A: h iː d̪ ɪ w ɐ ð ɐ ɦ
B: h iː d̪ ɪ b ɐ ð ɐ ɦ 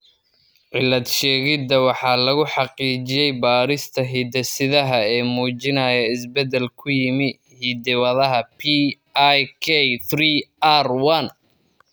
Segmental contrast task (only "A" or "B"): A